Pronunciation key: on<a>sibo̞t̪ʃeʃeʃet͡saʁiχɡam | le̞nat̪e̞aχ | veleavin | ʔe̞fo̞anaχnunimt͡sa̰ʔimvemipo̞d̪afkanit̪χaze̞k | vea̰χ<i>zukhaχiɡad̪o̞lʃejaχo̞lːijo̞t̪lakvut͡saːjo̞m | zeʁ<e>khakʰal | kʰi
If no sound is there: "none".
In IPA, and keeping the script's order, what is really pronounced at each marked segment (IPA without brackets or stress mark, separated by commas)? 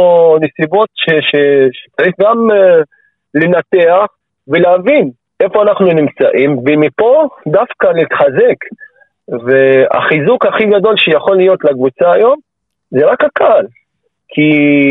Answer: e, i, a